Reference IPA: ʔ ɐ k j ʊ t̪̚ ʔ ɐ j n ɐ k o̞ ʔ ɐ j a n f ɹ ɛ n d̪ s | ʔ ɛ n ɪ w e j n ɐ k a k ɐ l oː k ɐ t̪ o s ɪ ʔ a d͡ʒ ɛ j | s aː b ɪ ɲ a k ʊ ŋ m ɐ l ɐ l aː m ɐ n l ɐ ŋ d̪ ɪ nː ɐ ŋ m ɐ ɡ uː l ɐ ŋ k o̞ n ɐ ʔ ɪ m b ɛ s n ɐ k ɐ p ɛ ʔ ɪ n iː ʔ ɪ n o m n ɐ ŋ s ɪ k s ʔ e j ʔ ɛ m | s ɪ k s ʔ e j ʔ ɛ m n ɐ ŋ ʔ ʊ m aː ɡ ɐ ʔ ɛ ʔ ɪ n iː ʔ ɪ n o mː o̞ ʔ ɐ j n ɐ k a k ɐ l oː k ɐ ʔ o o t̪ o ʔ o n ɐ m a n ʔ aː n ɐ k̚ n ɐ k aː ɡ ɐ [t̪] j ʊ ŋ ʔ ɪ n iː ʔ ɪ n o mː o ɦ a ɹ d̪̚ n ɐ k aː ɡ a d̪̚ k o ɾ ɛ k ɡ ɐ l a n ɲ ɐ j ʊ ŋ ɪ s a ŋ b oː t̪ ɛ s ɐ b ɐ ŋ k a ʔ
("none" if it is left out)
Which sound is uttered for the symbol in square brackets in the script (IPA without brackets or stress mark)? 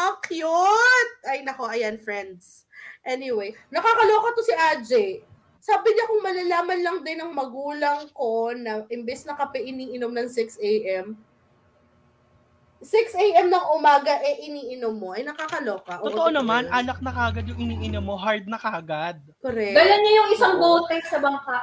d̪